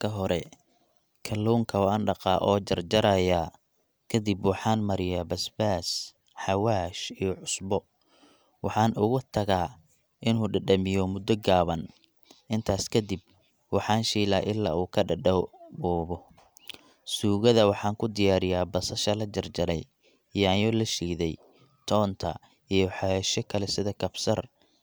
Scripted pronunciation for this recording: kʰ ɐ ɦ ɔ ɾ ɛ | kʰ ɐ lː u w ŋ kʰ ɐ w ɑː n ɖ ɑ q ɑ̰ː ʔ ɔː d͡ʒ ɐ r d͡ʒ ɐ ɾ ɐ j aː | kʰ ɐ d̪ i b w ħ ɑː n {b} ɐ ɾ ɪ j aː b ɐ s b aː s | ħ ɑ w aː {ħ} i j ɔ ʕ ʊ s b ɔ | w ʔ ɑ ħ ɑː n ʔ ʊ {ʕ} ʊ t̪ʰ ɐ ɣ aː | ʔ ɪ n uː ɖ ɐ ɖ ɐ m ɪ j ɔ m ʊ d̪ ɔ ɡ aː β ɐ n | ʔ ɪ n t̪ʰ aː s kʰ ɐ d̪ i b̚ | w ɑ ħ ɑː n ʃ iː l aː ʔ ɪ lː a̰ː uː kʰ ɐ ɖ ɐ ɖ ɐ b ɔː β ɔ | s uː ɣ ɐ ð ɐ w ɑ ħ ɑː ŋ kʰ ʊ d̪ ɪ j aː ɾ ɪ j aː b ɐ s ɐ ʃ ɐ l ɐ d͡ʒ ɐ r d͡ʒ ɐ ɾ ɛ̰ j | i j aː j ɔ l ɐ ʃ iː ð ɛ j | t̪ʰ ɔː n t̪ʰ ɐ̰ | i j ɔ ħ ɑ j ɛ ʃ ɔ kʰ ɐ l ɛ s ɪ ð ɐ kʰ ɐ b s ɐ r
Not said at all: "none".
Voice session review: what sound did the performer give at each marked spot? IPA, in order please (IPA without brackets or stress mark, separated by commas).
m, ʃ, ɣ